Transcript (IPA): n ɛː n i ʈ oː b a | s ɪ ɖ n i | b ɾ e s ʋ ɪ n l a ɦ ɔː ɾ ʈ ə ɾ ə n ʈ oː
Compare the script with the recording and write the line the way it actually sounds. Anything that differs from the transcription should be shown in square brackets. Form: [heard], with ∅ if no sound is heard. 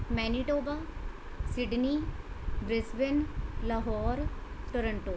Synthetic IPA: [m] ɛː n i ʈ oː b a | s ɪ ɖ n i | b ɾ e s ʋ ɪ n l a ɦ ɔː ɾ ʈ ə ɾ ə [ɳ] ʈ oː